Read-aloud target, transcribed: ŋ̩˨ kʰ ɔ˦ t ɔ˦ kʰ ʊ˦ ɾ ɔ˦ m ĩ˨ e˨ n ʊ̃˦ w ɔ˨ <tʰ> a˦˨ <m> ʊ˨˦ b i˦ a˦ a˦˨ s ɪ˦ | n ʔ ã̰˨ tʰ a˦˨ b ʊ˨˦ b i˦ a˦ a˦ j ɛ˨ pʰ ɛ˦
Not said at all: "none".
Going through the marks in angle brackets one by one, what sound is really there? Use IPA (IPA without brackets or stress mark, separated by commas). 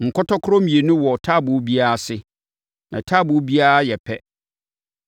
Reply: tʰ, b